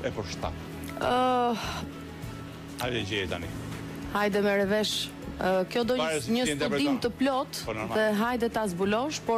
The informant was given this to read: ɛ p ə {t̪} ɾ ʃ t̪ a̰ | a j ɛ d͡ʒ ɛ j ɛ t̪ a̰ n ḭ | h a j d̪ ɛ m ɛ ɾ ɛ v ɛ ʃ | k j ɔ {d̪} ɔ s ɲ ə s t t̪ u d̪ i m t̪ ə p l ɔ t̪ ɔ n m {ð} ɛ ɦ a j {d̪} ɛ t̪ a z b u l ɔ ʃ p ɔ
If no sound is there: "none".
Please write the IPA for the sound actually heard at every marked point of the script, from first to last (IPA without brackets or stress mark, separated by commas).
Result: none, d̪, ð, d̪